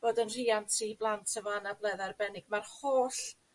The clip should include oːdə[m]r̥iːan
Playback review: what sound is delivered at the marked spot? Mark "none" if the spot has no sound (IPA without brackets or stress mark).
n